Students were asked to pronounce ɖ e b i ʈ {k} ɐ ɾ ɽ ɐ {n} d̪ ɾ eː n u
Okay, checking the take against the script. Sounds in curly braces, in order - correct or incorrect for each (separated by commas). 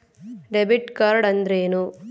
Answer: correct, correct